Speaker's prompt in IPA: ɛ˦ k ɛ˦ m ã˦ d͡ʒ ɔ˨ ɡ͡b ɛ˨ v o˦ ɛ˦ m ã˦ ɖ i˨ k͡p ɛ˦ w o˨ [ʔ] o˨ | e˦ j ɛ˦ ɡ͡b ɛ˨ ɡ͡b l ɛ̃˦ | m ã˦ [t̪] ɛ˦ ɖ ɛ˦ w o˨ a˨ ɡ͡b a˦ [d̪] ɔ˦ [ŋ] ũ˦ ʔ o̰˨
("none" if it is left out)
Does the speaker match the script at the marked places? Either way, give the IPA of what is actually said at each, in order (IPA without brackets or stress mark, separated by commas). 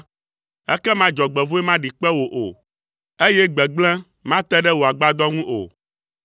ʔ, t̪, d̪, ŋ